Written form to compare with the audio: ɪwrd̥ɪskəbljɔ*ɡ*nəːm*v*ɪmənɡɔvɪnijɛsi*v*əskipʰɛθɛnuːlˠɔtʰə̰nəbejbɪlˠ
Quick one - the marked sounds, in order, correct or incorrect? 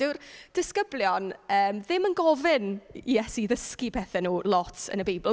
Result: incorrect, incorrect, incorrect

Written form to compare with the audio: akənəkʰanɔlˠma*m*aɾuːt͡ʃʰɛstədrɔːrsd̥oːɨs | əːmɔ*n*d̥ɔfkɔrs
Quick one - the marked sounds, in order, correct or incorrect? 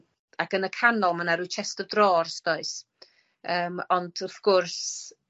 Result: incorrect, correct

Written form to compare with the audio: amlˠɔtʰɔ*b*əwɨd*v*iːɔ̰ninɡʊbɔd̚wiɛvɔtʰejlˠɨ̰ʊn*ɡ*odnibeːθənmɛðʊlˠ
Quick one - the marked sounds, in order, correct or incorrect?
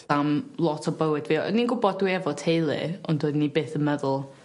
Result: correct, correct, incorrect

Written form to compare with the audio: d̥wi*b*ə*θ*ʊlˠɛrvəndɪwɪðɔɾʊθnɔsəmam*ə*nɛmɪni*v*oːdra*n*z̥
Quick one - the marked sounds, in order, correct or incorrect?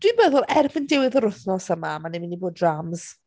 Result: correct, incorrect, incorrect, incorrect, incorrect

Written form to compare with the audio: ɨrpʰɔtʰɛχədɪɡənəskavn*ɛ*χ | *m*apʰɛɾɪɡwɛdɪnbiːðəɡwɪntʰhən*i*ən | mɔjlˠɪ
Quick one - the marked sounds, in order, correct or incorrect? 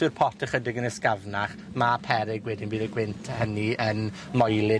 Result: incorrect, correct, correct

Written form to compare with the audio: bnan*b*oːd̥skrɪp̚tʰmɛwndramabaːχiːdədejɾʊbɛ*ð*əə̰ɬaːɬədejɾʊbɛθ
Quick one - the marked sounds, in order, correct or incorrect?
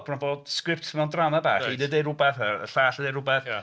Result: correct, incorrect

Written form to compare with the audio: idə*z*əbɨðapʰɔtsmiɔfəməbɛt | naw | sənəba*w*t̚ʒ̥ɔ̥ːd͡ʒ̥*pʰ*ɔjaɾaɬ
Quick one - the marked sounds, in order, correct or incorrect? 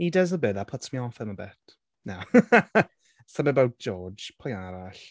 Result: correct, correct, correct

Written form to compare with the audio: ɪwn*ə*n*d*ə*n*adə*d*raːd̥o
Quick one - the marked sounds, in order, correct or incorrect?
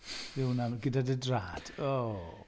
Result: incorrect, incorrect, incorrect, correct

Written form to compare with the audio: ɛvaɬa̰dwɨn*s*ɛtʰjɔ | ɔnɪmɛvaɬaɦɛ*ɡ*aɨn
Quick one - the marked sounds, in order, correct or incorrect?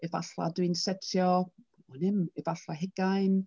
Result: correct, correct

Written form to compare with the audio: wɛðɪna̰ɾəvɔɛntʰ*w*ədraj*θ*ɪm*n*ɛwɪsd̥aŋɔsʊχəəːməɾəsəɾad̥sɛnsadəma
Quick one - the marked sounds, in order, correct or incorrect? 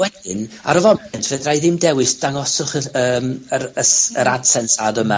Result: incorrect, incorrect, incorrect

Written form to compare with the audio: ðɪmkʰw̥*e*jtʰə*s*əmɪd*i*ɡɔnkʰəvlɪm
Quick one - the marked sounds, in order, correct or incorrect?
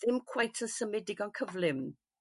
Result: incorrect, correct, incorrect

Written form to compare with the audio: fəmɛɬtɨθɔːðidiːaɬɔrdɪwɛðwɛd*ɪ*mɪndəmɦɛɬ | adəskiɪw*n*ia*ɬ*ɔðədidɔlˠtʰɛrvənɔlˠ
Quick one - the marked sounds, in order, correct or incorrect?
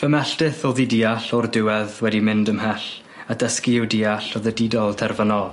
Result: incorrect, incorrect, correct

